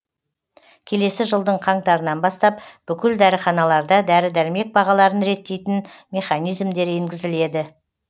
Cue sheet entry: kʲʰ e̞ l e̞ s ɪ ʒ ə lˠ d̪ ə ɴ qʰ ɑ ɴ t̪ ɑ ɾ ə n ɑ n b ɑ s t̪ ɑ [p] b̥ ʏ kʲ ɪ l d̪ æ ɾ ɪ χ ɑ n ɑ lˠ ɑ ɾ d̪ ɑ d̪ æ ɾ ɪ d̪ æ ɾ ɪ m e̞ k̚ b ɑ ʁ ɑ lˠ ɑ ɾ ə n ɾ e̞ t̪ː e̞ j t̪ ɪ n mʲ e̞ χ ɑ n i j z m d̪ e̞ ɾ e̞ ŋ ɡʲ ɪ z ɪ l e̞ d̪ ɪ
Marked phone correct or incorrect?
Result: correct